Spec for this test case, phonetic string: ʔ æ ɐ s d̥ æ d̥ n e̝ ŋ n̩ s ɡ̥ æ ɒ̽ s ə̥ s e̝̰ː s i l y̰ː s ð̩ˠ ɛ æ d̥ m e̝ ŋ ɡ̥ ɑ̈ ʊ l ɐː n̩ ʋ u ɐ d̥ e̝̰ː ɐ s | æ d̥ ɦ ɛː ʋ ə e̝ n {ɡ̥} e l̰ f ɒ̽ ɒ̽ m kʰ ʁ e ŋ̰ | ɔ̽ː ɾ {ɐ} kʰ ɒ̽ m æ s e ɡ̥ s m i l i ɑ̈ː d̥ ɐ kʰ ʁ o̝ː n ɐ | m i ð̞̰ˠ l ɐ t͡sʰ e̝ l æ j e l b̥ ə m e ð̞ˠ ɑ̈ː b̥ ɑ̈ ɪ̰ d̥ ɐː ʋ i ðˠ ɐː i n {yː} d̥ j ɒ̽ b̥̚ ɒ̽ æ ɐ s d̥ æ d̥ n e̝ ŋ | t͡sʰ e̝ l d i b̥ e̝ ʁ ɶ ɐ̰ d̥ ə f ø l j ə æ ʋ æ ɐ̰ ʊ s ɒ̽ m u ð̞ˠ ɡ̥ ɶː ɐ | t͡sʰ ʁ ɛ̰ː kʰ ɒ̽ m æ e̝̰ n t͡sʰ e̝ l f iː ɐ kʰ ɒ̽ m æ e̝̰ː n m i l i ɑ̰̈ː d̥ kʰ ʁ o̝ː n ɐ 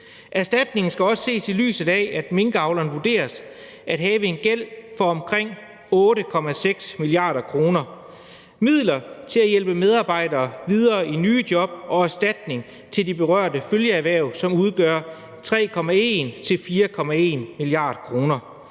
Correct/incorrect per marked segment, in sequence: correct, incorrect, correct

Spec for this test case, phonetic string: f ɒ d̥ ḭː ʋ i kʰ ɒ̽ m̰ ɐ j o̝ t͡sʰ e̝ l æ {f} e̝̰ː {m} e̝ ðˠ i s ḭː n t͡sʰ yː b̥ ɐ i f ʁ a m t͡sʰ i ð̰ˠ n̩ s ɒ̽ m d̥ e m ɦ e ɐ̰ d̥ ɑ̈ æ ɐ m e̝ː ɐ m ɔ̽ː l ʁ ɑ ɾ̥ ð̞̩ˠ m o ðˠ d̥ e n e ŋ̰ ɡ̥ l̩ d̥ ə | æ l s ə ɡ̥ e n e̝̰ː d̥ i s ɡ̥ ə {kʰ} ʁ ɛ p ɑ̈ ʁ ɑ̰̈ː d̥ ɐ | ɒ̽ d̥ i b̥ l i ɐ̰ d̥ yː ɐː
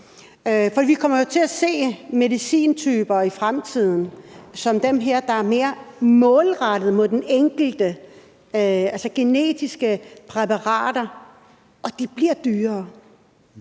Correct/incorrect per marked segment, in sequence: incorrect, correct, incorrect

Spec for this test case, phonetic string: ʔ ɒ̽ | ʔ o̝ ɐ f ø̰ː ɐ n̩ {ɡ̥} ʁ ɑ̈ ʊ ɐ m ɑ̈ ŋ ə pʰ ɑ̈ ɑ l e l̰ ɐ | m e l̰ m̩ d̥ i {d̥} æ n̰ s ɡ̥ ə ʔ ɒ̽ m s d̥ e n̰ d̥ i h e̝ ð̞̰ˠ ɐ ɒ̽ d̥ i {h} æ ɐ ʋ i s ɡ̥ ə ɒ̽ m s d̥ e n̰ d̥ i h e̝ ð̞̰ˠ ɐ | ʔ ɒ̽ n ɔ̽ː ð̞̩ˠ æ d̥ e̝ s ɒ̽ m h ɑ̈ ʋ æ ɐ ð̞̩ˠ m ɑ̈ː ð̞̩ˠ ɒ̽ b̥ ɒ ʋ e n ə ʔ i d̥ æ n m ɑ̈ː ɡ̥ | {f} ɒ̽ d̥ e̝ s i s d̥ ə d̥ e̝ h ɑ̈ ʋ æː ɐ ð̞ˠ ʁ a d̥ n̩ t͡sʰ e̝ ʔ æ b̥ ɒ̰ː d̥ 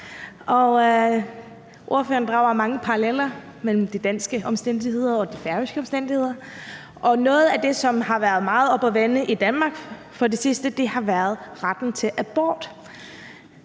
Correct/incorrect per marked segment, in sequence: incorrect, correct, incorrect, correct

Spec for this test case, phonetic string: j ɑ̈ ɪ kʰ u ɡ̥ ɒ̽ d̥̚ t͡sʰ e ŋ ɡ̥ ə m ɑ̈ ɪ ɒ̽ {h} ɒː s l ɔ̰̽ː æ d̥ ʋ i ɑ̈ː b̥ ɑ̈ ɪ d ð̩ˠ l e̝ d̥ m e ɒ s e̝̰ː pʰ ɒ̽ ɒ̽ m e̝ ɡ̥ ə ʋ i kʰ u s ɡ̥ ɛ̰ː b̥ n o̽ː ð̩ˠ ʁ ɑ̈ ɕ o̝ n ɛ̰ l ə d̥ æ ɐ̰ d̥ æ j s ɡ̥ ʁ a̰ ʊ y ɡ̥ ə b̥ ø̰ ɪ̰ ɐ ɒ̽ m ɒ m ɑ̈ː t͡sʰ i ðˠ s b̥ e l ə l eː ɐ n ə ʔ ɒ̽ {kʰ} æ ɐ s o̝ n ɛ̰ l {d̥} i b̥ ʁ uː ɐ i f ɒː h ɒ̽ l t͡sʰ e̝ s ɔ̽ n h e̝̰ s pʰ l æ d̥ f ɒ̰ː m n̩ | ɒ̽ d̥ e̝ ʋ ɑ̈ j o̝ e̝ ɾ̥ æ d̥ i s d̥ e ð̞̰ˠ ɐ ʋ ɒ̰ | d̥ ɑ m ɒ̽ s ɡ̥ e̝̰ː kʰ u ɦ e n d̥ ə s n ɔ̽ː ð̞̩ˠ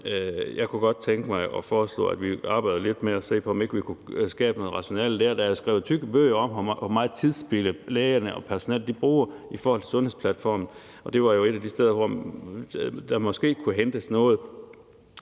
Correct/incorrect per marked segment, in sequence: incorrect, incorrect, correct

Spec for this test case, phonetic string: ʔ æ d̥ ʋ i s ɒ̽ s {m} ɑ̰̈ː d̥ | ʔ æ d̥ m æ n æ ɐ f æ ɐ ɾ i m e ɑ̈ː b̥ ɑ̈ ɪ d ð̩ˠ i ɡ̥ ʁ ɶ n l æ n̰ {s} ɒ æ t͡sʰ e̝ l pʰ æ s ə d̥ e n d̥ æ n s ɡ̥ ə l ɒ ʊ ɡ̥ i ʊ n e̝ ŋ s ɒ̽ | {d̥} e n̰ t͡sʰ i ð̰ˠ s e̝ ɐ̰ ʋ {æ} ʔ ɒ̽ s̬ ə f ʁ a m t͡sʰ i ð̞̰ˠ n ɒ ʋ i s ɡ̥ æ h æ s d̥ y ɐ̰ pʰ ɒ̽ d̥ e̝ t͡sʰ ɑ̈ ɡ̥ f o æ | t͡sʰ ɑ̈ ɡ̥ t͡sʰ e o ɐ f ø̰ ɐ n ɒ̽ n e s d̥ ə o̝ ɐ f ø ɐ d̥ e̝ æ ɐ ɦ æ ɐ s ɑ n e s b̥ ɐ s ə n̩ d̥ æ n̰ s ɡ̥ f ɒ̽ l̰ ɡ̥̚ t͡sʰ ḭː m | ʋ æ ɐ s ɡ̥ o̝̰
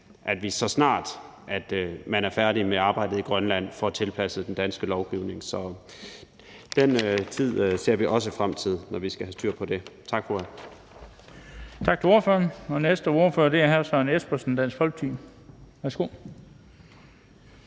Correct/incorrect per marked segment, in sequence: incorrect, incorrect, correct, incorrect

